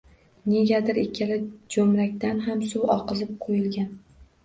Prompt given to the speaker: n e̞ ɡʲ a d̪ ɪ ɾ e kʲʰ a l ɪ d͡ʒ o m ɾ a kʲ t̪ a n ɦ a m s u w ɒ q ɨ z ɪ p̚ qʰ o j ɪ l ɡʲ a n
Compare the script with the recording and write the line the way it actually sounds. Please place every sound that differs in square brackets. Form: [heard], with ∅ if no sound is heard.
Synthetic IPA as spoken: n e̞ ɡʲ a d̪ ɪ ɾ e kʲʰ a l ɪ d͡ʒ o m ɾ a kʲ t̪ a n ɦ a m s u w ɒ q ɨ z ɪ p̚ qʰ o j ɪ l ɡʲ a n